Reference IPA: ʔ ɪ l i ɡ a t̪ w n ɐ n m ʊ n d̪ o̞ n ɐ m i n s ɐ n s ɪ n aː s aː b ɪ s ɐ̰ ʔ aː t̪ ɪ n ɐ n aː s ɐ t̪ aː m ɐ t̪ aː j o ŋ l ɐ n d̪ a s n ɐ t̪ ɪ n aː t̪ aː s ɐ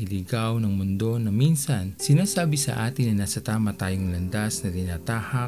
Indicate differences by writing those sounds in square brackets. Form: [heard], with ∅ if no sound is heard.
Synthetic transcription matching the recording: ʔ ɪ l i ɡ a [∅] w n ɐ [ŋ] m ʊ n d̪ o̞ n ɐ m i n s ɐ n s ɪ n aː s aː b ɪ s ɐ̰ ʔ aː t̪ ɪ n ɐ n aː s ɐ t̪ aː m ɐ t̪ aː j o ŋ l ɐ n d̪ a s n ɐ t̪ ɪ n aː t̪ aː [h] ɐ